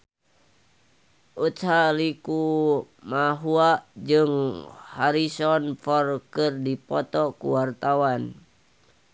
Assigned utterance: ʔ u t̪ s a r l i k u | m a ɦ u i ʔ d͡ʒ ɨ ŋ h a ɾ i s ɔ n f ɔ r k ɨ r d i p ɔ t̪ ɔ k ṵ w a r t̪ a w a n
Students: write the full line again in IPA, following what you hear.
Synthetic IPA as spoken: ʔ u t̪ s a l i k u | m a ɦ u a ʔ d͡ʒ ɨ ŋ h a ɾ i s ɔ n f ɔ r k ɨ r d i p ɔ t̪ ɔ k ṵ w a r t̪ a w a n